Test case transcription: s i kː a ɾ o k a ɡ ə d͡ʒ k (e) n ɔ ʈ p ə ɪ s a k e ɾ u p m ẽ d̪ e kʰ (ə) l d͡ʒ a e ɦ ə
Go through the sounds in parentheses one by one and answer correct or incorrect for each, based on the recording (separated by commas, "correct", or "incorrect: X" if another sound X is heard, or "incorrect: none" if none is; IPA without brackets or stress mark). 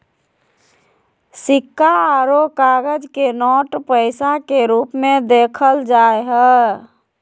correct, correct